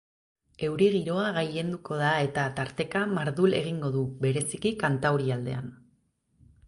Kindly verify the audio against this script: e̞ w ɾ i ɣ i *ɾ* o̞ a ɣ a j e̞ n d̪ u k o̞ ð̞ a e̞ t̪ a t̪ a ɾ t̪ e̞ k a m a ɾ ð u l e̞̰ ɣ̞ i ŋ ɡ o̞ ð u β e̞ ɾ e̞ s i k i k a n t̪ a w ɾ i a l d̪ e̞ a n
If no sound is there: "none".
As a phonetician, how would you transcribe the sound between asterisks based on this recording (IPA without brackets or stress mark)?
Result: ɾ